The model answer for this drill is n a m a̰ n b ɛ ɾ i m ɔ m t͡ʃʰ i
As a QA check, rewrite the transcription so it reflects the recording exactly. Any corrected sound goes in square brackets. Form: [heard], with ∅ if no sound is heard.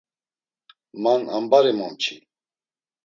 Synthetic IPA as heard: [m] a [n] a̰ [m] b [a] ɾ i m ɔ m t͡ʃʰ i